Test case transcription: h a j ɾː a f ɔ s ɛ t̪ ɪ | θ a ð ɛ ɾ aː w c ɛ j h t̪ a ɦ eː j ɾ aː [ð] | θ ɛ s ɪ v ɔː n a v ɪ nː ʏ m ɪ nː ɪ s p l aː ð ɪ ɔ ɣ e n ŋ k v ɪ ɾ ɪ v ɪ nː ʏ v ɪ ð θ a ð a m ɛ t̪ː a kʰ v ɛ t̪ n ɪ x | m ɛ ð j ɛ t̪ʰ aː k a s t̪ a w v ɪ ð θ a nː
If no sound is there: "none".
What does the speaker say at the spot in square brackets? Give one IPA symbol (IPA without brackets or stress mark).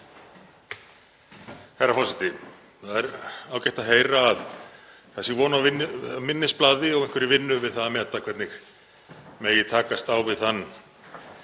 ð